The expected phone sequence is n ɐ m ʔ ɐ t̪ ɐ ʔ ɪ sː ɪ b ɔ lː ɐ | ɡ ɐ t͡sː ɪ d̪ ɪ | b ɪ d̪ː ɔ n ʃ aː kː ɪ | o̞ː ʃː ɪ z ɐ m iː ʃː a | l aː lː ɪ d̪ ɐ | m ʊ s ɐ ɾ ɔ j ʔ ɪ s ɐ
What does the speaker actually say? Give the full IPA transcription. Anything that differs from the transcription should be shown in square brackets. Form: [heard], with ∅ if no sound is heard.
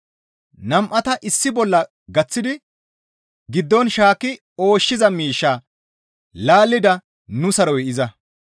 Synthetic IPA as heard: n ɐ m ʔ ɐ t̪ ɐ ʔ ɪ sː ɪ b ɔ lː ɐ | ɡ ɐ t͡sː ɪ d̪ ɪ | [ɡ] ɪ d̪ː ɔ n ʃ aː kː ɪ | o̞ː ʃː ɪ z ɐ m iː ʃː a | l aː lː ɪ d̪ ɐ | [n] ʊ s ɐ ɾ ɔ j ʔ ɪ [z] ɐ